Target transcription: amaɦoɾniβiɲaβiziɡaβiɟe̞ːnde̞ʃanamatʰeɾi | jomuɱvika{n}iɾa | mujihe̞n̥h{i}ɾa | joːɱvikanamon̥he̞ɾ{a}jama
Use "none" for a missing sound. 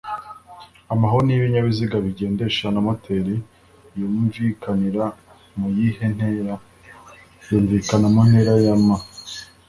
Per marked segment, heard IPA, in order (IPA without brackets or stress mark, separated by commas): n, e, a